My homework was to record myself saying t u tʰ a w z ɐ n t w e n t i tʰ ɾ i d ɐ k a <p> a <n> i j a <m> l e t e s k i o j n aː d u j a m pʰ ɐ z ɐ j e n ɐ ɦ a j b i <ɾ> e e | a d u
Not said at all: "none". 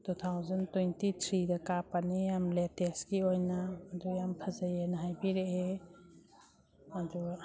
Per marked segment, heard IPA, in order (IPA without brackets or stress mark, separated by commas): p, n, m, ɾ